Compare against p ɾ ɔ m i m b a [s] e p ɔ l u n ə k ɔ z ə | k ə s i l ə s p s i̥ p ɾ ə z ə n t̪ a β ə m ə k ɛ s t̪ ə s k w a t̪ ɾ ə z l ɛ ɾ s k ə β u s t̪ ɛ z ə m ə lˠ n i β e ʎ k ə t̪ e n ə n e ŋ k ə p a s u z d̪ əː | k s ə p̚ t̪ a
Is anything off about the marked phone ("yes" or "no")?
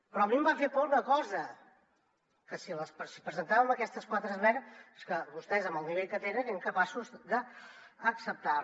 yes